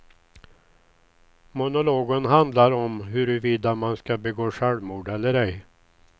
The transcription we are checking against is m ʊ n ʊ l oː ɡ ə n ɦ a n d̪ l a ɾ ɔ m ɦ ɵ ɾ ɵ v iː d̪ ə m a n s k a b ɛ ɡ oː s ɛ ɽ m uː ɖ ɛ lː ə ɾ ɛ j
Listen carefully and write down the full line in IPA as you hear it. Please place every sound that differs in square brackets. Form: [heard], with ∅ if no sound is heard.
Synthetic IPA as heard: m ʊ n ʊ l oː ɡ ə n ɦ a n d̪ l a ɾ ɔ m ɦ ɵ ɾ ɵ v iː d̪ [a] m a n s k a b ɛ ɡ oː [ʂ] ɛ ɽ m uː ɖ ɛ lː ə ɾ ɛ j